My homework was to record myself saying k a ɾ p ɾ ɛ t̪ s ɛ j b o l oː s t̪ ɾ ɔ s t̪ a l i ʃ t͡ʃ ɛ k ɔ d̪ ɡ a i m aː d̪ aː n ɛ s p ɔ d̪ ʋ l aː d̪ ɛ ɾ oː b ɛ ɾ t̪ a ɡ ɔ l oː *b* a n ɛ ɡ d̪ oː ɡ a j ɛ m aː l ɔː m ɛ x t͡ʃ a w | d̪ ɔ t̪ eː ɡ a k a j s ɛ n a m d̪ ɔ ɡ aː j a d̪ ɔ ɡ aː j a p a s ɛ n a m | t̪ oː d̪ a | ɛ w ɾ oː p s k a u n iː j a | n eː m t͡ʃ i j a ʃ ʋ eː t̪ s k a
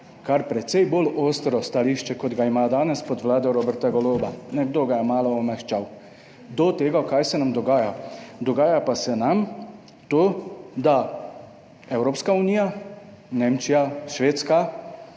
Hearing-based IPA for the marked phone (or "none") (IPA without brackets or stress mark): b